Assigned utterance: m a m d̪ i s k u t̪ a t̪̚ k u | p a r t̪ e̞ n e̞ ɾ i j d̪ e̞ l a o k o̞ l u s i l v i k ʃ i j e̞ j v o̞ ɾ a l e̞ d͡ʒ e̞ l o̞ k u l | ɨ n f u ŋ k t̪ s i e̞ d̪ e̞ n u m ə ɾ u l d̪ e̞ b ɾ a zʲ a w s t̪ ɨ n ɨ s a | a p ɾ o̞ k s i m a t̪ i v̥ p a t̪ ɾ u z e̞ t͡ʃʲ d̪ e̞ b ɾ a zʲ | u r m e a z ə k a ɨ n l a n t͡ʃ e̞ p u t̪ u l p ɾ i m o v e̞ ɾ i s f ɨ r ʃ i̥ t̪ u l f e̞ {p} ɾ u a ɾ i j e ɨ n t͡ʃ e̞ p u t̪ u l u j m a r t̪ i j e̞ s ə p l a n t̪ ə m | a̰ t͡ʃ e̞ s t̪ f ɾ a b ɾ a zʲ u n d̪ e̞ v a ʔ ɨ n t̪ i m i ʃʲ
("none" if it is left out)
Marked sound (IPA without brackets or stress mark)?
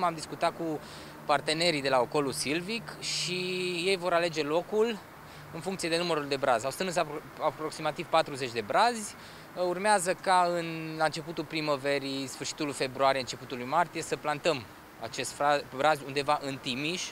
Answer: b